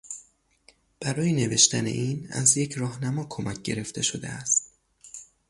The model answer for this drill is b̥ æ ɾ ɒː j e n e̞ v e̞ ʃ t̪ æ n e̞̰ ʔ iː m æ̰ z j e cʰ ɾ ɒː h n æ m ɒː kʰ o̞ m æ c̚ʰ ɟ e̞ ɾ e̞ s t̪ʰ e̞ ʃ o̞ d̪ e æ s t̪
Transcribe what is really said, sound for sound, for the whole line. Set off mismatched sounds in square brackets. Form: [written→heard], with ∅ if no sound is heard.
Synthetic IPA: b̥ æ ɾ ɒː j e n e̞ v e̞ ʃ t̪ æ n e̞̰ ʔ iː [m→n] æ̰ z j e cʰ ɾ ɒː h n æ m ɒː kʰ o̞ m æ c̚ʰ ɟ e̞ ɾ e̞ [s→f] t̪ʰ e̞ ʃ o̞ d̪ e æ s t̪